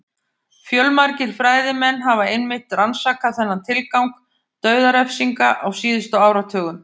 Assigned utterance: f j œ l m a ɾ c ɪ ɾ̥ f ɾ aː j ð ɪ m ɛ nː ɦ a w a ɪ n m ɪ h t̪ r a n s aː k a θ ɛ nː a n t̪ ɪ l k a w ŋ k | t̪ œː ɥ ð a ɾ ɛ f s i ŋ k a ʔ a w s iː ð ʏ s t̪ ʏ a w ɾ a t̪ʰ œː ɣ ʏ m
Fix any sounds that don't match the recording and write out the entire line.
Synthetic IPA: f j œ l m a ɾ c ɪ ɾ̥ f ɾ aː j ð ɪ m ɛ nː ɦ a v a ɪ n m ɪ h t̪ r a n s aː k a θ ɛ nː a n t̪ʰ ɪ l k a w ŋ k | t̪ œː ɥ ð a ɾ ɛ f s i ŋ k a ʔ a w s iː ð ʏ s t̪ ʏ a w ɾ a t̪ʰ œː ɣ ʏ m